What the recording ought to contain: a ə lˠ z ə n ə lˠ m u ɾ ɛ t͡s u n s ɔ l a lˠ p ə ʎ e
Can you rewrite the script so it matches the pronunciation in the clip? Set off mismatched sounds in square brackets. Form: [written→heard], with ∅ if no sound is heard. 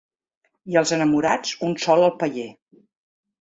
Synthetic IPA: [a→i] ə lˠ z ə n ə [lˠ→∅] m u ɾ [ɛ→a] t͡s u n s ɔ l [a→ə] lˠ p ə ʎ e

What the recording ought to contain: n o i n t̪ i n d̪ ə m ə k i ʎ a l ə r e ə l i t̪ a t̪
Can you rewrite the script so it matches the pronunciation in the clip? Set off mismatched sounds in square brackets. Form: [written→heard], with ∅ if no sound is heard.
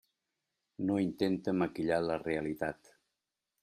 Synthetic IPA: n o i n t̪ [i→e] n [d̪→t̪] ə m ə k i ʎ a l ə r e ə l i t̪ a t̪

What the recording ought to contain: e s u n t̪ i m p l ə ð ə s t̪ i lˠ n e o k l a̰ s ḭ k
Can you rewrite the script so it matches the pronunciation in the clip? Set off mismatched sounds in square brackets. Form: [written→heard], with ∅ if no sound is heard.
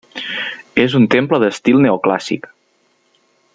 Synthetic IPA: e [s→z] u n t̪ [i→e] m p l ə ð ə s t̪ i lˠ n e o k l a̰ s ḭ k

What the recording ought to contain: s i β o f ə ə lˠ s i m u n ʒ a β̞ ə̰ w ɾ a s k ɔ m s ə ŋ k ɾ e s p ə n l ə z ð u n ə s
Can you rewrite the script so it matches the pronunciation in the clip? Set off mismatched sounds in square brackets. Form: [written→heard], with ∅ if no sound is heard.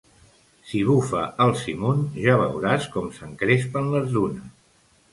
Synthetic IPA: s i β [o→u] f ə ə lˠ s i m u n ʒ a β̞ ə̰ w ɾ a s k ɔ m s ə ŋ k ɾ e s p ə n l ə z ð u n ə s

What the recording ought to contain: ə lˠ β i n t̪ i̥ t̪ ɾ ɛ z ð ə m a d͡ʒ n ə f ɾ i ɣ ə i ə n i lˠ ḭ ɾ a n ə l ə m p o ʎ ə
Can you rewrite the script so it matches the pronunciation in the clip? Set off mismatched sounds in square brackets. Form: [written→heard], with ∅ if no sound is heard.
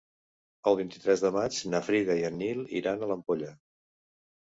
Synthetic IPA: ə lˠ β i n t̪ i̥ t̪ ɾ ɛ z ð ə m a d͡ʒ n ə f ɾ i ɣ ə i ə n i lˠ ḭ ɾ a n ə l ə m p o ʎ ə

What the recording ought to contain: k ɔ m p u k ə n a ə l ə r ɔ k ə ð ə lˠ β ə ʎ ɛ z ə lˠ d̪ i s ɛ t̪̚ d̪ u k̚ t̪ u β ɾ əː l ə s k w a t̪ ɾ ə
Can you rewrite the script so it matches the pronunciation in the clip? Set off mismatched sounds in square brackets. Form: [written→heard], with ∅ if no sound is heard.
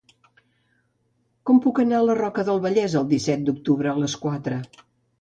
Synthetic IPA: k ɔ m p u k ə n a ə l ə r ɔ k ə ð ə lˠ β ə ʎ ɛ z ə lˠ d̪ i s ɛ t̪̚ d̪ u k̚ t̪ u β ɾ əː l ə s k w a t̪ ɾ ə

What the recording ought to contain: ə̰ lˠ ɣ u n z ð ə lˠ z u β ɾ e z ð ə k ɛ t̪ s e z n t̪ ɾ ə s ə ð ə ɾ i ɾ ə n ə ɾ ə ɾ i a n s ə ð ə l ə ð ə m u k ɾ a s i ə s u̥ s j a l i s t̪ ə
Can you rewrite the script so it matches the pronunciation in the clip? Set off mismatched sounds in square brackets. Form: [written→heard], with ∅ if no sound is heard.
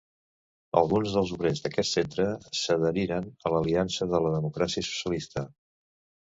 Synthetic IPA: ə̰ lˠ ɣ u n z ð ə lˠ z u β ɾ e z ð ə k ɛ t̪ s e [z→∅] n t̪ ɾ ə s ə ð ə ɾ i ɾ ə n ə [ɾ→l] ə [ɾ→l] i a n s ə ð ə l ə ð ə m u k ɾ a s i ə s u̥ s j [a→ə] l i s t̪ ə

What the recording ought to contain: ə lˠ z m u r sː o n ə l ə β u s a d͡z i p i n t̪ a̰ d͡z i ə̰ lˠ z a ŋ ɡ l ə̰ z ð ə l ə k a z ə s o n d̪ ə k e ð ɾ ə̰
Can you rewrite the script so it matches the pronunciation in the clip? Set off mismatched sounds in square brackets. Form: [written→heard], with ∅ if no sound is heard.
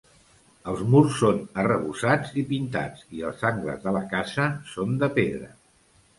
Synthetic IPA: ə lˠ z m u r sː o n ə [l→r] ə β u s a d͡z i p i n t̪ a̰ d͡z i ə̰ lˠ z a ŋ ɡ l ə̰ z ð ə l ə k a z ə s o n d̪ ə [k→p] e ð ɾ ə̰

